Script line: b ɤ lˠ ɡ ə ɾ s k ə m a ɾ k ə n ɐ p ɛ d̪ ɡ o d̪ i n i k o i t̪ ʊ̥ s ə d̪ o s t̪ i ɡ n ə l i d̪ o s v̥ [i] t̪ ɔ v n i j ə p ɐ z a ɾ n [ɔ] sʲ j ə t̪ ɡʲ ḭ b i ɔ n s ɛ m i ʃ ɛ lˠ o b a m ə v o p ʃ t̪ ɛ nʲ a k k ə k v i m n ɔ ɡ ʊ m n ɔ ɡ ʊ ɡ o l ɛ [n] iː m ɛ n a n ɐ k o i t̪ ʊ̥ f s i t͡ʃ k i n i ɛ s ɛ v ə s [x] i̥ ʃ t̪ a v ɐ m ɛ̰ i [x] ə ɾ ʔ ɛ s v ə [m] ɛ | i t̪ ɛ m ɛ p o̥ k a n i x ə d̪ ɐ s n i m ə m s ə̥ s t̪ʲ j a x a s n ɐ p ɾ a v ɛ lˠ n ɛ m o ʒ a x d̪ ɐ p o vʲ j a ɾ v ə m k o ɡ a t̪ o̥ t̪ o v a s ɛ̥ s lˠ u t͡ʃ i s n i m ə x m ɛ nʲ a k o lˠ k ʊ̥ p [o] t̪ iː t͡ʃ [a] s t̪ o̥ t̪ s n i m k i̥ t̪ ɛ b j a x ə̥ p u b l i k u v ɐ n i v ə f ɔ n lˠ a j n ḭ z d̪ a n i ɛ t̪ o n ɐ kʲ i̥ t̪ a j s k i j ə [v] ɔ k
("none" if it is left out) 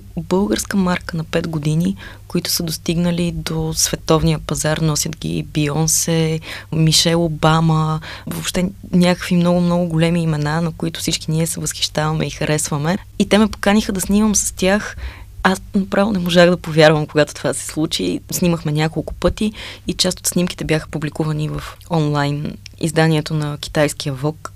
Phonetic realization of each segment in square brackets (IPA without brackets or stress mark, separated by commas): ɛ, ɔ, m, x, x, m, ɤ, a, v